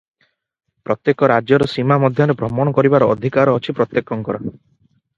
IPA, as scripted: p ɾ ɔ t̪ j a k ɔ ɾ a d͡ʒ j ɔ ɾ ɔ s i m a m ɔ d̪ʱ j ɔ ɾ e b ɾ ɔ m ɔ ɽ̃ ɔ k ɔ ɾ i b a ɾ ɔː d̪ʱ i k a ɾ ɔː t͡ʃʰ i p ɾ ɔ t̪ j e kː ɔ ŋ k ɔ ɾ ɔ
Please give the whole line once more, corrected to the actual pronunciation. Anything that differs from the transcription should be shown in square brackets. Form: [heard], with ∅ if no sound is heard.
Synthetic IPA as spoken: p ɾ ɔ t̪ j [e] k ɔ ɾ a d͡ʒ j ɔ ɾ ɔ s i m a m ɔ d̪ʱ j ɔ ɾ e b ɾ ɔ m ɔ ɽ̃ ɔ k ɔ ɾ i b a ɾ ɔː d̪ʱ i k a ɾ ɔː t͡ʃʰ i p ɾ ɔ t̪ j e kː ɔ ŋ k ɔ ɾ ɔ